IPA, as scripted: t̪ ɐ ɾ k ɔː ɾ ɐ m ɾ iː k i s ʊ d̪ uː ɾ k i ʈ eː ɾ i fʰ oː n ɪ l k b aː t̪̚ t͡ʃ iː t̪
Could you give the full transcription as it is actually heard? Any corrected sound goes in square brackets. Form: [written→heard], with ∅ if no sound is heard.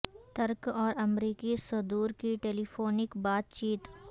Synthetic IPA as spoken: t̪ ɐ ɾ k ɔː ɾ ɐ m ɾ iː k i s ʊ d̪ uː ɾ k i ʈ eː [ɾ→l] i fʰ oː n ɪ [l→∅] k b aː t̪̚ t͡ʃ iː t̪